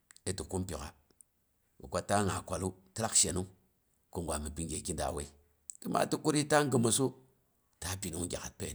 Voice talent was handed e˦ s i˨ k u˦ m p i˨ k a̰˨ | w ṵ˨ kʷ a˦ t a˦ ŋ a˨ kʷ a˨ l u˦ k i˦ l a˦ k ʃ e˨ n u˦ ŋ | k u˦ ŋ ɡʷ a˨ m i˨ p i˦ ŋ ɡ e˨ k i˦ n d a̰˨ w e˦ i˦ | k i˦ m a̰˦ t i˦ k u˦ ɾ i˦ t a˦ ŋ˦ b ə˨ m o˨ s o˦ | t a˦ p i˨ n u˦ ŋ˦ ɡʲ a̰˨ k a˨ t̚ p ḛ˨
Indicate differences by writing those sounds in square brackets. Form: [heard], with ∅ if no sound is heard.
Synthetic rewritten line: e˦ [t] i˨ k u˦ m p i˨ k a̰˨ | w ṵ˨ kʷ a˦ t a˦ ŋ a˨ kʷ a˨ l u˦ [t] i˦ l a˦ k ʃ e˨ n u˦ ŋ | k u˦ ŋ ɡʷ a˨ m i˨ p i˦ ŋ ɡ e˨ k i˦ n d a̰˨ w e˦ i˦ | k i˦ m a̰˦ t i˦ k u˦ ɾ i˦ t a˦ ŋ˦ [ɡ] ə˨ m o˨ s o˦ | t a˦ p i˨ n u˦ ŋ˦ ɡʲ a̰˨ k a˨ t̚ p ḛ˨